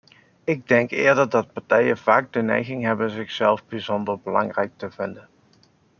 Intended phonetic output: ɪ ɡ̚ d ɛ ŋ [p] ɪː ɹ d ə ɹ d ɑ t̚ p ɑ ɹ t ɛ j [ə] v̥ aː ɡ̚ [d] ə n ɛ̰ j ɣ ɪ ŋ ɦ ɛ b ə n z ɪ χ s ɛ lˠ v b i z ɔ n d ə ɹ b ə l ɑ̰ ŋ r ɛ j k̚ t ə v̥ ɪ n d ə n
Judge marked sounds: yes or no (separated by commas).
no, yes, yes